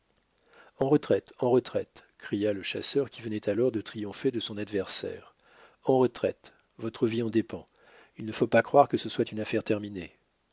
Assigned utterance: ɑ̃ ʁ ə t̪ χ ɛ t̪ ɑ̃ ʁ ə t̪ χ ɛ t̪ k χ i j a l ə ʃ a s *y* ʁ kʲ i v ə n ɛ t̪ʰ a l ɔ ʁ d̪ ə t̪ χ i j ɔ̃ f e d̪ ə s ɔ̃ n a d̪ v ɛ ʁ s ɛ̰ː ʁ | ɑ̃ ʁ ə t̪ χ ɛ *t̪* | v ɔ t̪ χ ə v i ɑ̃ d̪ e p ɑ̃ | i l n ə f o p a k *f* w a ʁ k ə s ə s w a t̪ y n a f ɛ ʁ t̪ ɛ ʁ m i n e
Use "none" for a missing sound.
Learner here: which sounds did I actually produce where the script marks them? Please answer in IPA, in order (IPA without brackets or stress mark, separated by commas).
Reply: œ, t̪, χ